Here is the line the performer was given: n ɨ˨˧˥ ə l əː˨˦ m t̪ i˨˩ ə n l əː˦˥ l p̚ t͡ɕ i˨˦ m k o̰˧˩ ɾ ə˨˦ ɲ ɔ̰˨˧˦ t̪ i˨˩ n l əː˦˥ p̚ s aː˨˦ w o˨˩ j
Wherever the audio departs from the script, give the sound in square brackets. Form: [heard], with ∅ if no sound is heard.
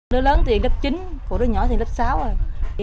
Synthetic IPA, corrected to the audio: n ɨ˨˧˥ ə l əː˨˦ [n] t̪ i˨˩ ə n l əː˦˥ [∅] p̚ t͡ɕ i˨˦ [n] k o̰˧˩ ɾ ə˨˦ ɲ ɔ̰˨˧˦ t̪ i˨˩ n l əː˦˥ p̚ s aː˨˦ w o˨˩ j